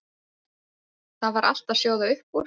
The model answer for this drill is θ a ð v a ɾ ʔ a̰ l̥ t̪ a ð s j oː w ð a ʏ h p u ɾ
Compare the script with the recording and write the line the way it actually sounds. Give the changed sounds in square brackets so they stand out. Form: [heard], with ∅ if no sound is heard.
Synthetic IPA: θ a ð v a ɾ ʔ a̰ l̥ t̪ a ð s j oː w ð a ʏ h p u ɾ